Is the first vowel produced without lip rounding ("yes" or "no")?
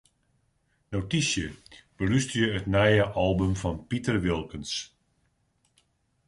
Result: no